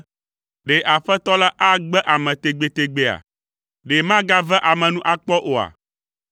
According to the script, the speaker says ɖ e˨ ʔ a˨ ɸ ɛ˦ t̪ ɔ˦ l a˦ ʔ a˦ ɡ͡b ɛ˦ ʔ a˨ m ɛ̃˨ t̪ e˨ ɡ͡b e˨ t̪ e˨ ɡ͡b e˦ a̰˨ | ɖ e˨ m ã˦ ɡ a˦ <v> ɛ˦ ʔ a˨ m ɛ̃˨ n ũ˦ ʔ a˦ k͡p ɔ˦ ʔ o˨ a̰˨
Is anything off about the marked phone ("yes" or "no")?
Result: no